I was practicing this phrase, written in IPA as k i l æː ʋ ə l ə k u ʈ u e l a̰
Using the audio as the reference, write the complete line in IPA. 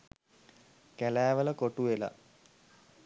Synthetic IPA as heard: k æ l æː ʋ ə l ə k o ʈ u e l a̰